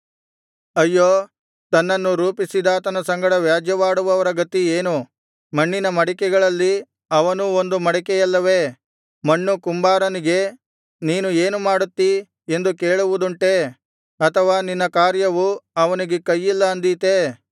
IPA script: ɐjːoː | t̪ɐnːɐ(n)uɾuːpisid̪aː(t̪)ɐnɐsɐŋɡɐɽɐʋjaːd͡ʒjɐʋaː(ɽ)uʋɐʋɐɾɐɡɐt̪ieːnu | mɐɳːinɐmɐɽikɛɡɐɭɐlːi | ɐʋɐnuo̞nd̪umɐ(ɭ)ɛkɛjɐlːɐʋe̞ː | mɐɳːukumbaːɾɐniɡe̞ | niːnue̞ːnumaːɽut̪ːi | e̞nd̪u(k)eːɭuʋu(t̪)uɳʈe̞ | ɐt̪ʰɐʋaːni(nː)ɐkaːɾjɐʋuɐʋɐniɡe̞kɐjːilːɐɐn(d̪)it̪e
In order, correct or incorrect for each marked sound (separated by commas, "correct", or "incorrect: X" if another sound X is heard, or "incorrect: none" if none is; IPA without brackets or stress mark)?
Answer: incorrect: nː, correct, correct, incorrect: ɽ, correct, incorrect: d̪, correct, correct